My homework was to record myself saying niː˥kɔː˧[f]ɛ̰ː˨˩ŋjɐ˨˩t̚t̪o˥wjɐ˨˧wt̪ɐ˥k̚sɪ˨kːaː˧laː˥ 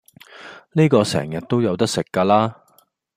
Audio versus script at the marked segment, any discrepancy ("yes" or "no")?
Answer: yes